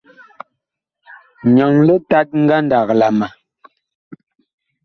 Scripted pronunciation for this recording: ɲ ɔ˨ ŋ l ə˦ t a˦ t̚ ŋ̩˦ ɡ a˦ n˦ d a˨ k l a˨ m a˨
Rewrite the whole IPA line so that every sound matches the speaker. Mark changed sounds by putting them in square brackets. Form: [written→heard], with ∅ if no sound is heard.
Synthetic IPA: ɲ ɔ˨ ŋ l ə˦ t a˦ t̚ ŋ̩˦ ɡ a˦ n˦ d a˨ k l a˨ m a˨

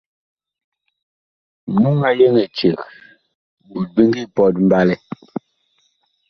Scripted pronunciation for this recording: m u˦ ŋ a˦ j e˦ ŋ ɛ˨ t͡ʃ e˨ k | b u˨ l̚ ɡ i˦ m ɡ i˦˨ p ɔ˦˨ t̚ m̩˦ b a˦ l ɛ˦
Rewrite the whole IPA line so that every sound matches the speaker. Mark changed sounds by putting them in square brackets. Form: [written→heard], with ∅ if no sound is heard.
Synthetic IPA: m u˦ ŋ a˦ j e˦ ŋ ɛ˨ t͡ʃ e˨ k | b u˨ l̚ [ɡ→b] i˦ [m→ŋ] ɡ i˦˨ p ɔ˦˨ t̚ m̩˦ b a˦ l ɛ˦

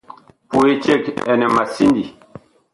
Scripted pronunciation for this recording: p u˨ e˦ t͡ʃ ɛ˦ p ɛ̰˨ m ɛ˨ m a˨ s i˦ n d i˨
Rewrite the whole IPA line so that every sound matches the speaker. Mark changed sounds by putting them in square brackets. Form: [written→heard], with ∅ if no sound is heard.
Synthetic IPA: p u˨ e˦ t͡ʃ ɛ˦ [p→k] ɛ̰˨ [m→n] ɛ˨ m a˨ s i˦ n d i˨

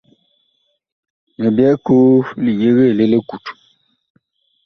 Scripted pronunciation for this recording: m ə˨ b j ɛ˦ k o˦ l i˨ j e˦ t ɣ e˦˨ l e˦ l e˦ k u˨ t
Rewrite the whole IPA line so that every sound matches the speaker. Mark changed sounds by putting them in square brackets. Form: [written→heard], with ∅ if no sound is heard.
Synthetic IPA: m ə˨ b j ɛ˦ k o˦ l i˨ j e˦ [t→∅] ɣ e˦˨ l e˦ l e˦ k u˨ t

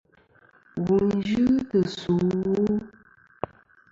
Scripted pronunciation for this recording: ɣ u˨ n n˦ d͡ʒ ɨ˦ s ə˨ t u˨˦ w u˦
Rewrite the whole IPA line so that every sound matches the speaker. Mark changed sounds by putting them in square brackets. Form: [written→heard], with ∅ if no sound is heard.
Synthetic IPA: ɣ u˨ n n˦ d͡ʒ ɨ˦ [s→t] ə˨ [t→s] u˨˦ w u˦

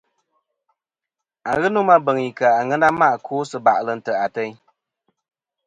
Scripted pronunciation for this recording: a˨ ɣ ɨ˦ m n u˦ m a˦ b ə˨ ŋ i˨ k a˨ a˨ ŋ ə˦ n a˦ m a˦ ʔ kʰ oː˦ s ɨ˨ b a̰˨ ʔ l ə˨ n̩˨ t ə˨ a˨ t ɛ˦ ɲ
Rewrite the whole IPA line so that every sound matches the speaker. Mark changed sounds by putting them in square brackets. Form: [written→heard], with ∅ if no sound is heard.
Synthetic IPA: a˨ ɣ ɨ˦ [m→∅] n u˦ m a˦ b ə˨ ŋ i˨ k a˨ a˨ ŋ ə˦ n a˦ m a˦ ʔ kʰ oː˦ s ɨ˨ b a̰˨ ʔ l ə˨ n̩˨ t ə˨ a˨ t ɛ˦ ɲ

